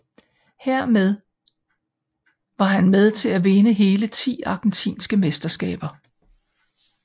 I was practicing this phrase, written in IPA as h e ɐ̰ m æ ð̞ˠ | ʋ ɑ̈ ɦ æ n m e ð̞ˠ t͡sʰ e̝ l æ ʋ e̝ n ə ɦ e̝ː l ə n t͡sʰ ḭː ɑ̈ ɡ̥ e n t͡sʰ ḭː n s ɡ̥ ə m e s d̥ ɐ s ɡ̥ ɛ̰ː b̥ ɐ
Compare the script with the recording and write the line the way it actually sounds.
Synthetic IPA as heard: h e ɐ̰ m e ð̞ˠ | ʋ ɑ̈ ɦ æ n m e ð̞ˠ t͡sʰ e̝ l æ ʋ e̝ n ə ɦ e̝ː l ə t͡sʰ ḭː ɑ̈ ɡ̥ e n t͡sʰ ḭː n s ɡ̥ ə m e s d̥ ɐ s ɡ̥ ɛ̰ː b̥ ɐ

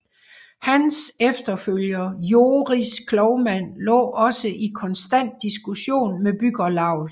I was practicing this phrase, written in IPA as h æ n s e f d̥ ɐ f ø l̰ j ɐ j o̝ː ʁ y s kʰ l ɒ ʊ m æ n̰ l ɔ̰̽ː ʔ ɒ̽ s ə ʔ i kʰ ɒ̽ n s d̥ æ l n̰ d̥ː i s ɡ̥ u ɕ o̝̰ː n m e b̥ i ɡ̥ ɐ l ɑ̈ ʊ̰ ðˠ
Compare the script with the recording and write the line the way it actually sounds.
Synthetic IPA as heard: h æ n s e f d̥ ɐ f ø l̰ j ɐ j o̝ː ʁ i s kʰ l ɒ ʊ m æ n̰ l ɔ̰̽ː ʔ ɒ̽ s ə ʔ i kʰ ɒ̽ n s d̥ æ n̰ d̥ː i s ɡ̥ u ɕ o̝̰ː n m e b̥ y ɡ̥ ɐ l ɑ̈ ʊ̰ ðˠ

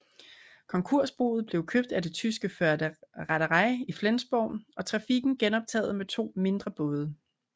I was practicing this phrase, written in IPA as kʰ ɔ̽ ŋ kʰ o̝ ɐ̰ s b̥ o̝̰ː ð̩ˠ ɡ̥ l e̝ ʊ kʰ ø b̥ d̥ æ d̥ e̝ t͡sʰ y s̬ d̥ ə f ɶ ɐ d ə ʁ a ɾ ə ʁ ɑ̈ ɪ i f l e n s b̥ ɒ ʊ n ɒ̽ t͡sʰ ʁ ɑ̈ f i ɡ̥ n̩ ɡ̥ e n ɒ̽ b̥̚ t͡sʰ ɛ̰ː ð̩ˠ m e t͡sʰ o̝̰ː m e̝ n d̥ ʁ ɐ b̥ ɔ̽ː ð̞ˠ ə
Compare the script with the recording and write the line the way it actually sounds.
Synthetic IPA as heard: kʰ ɒ̽ ŋ kʰ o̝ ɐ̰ s b̥ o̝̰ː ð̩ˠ b̥ l e̝ ʊ kʰ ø b̥ d̥ æ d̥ e̝ t͡sʰ y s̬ ɡ̥ ə f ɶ ɐ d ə ʁ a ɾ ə ʁ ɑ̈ ɪ i f l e n s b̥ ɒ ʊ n ɒ̽ t͡sʰ ʁ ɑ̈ f i ɡ̥ n̩ ɡ̥ e n ɒ̽ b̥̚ t͡sʰ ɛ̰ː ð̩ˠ m e t͡sʰ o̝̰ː m e̝ n d̥ ʁ ɐ b̥ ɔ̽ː ð̞ˠ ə

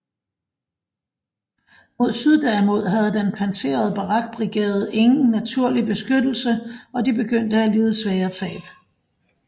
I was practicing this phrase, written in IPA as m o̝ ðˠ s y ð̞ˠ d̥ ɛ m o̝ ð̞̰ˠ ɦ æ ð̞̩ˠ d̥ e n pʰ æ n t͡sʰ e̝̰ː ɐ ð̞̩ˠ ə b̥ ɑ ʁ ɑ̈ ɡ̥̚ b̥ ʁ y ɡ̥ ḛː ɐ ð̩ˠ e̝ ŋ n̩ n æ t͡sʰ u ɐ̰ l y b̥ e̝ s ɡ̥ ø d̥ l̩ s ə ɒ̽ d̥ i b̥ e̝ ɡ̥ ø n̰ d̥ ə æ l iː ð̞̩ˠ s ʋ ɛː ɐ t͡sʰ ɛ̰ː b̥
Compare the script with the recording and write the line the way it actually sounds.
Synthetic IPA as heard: m o̝ ðˠ s y ð̞ˠ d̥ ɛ m o̝ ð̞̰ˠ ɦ æ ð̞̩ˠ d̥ e n pʰ æ n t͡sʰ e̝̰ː ɐ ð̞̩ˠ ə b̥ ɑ ʁ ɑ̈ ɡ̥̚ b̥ ʁ i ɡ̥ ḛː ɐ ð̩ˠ e̝ ŋ n̩ n æ t͡sʰ u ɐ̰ l i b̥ e̝ s ɡ̥ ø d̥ l̩ s ə ɒ̽ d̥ i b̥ e̝ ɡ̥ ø n̰ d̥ ə æ l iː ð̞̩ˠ s ʋ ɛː ɐ t͡sʰ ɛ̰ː b̥

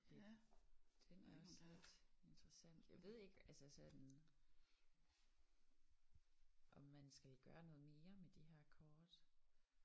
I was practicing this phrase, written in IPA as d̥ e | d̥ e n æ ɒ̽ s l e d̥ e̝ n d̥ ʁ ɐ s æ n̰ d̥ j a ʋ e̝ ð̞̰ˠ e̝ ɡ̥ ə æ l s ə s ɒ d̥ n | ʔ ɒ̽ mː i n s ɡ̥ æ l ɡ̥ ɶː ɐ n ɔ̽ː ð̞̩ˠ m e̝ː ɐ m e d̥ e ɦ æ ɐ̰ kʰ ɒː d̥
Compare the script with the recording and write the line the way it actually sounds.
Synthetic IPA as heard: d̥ e | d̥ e n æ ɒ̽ s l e d̥ e̝ n d̥ ʁ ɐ s æ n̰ d̥ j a ʋ e̝ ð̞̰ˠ e̝ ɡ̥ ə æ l s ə s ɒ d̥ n | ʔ ɒ̽ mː æ n s ɡ̥ æ l ɡ̥ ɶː ɐ n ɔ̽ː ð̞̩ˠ m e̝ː ɐ m e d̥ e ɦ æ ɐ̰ kʰ ɒː d̥

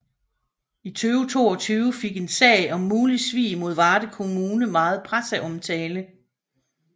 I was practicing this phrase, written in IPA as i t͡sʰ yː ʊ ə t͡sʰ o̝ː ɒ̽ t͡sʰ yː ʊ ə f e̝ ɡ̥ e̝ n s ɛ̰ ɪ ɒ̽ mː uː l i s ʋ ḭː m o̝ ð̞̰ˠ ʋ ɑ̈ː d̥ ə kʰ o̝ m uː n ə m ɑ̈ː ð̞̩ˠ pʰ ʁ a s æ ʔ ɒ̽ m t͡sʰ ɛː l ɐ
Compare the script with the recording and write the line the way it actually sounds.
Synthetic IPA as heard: i t͡sʰ yː ʊ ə t͡sʰ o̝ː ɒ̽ t͡sʰ yː ʊ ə f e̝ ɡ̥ e̝ n s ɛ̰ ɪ ɒ̽ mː uː l i s ʋ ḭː m o̝ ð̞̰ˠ ʋ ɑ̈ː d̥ ə kʰ o̝ m uː n ə m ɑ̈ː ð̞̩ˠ pʰ ʁ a s æ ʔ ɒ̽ m t͡sʰ ɛː l ə

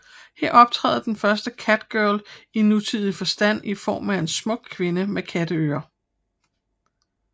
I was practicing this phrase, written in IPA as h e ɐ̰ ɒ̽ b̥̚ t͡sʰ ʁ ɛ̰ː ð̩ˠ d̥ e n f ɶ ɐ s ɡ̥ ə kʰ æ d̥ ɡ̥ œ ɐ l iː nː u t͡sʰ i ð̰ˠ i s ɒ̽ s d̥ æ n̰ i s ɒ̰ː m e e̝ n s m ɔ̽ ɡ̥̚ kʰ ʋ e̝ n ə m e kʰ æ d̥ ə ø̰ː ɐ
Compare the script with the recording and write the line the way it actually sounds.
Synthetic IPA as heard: h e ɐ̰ ɒ̽ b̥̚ t͡sʰ ʁ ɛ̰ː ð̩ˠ d̥ e n f ɶ ɐ s d̥ ə kʰ æ d̥ ɡ̥ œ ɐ l i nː u t͡sʰ i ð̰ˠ i f ɒ̽ s d̥ æ n̰ i f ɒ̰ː m æ e̝ n s m ɔ̽ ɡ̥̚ kʰ ʋ e̝ n ə m e kʰ æ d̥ ə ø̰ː ɐ

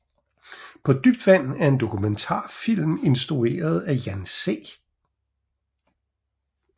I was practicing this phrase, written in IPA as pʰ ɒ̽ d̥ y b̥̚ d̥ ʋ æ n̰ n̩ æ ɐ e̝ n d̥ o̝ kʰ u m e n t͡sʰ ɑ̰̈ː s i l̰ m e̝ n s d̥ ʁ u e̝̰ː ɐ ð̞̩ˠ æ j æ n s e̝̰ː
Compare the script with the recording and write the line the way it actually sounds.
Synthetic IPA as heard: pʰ ɒ̽ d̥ y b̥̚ d̥ ʋ æ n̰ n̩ æ ɐ e̝ n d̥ o̝ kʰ u m e n t͡sʰ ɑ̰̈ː f i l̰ m e̝ n s d̥ ʁ u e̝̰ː ɐ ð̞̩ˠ æ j æ n s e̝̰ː

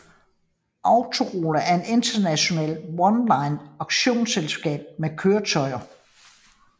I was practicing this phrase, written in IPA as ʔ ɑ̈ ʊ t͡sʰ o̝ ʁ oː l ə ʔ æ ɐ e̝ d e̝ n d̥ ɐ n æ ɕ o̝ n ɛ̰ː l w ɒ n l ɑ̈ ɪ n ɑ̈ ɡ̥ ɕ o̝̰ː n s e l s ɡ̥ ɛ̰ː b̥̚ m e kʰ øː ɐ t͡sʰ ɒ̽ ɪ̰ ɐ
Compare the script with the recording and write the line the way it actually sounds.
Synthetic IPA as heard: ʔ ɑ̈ ʊ t͡sʰ o̝ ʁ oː l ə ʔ æ ɐ e̝ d e̝ n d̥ ɐ n æ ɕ o̝ n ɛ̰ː l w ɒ n l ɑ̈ ɪ n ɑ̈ ɡ̥ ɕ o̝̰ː n s e l s ɡ̥ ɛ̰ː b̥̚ m e kʰ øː ɐ t͡sʰ ɒ̽ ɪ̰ ɐ

